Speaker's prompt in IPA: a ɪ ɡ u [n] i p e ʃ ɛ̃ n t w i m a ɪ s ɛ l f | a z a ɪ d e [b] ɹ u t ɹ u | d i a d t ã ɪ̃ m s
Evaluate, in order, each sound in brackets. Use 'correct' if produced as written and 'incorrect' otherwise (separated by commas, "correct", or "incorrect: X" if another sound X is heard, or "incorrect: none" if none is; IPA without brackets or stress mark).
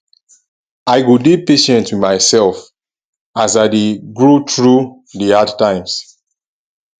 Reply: incorrect: d, incorrect: ɡ